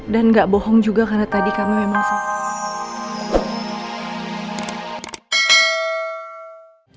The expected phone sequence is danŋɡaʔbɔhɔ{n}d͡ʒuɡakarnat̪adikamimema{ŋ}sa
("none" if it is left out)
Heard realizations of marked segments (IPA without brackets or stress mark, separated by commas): ŋ, ŋ